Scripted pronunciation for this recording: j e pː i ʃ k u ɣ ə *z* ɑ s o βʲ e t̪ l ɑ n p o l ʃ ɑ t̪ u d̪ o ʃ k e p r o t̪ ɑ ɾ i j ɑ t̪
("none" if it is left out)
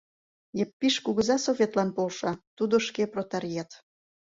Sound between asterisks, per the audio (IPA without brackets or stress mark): z